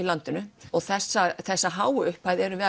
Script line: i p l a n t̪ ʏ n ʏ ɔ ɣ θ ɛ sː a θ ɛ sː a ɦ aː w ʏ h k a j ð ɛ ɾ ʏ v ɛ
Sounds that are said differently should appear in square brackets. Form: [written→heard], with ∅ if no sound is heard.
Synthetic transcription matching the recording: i [p→∅] l a n t̪ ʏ n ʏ ɔ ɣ θ ɛ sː a θ ɛ sː a ɦ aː w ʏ h [k→p] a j ð ɛ ɾ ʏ v ɛ